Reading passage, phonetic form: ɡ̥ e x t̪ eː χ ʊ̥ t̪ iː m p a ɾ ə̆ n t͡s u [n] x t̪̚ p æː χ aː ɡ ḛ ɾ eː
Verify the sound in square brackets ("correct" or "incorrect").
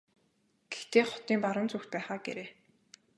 incorrect